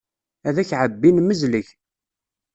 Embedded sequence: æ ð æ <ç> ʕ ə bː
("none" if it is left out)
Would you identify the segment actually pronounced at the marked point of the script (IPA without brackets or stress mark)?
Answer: ç